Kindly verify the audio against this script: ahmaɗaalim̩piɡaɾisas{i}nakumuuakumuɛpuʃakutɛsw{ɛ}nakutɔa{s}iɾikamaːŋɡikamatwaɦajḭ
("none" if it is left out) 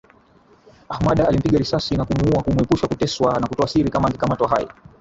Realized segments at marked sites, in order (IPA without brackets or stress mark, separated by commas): i, a, s